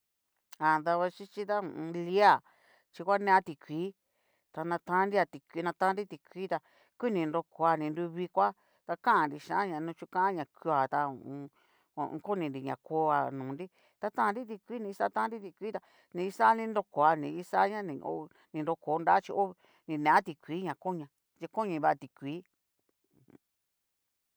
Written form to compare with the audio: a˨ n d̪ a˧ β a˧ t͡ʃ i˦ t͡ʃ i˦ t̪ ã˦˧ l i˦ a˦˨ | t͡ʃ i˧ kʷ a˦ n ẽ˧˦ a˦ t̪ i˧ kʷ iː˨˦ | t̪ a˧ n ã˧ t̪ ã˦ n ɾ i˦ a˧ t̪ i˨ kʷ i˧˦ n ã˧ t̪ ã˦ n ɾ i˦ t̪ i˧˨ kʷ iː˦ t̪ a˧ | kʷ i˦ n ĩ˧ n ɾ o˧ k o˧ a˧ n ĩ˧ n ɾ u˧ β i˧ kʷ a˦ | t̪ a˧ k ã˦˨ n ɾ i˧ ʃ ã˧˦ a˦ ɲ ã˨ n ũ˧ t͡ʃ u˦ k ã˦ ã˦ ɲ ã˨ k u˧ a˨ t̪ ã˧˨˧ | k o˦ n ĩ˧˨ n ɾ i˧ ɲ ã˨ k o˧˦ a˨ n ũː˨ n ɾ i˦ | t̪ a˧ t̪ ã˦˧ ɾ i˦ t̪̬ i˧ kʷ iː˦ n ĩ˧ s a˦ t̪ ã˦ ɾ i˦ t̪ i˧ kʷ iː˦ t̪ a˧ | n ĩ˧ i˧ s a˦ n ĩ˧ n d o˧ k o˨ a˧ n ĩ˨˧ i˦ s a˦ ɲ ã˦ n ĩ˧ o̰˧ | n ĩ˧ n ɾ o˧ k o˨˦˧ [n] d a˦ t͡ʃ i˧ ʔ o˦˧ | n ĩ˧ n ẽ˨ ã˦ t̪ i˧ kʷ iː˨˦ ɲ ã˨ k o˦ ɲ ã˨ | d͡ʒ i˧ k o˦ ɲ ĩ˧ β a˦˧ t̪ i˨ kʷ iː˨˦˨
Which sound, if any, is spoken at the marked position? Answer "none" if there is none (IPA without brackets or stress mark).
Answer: n